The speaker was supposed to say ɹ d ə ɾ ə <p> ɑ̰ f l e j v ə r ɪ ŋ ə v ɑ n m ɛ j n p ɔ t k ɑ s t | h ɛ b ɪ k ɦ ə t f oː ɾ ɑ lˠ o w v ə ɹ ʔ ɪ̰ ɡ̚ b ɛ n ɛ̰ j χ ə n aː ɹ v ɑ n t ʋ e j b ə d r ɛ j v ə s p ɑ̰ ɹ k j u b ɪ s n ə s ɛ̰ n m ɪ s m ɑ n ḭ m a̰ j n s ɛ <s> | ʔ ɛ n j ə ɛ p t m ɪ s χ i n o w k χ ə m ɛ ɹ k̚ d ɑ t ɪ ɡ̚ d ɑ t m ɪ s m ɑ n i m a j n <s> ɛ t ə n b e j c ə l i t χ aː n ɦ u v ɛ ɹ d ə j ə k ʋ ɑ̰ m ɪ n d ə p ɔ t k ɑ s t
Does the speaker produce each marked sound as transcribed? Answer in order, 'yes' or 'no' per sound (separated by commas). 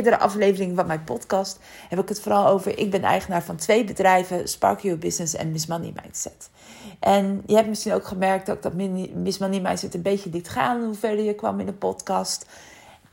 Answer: no, no, yes